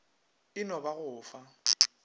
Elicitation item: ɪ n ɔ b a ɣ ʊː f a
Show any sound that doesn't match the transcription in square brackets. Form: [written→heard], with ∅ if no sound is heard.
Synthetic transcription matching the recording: ɪ n ɔ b a ɣ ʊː f a